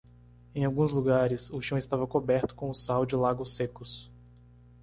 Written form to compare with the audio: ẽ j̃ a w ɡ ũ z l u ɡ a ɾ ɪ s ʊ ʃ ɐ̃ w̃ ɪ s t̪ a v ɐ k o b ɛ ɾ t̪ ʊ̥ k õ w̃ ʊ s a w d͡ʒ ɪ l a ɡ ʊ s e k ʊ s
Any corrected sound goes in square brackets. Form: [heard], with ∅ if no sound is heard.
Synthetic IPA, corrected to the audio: ẽ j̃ a w ɡ ũ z l u ɡ a ɾ ɪ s ʊ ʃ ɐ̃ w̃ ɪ s t̪ a v ɐ k o b ɛ ɾ t̪ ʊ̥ k õ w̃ ʊ s a w d͡ʒ ɪ l a ɡ ʊ s e k ʊ s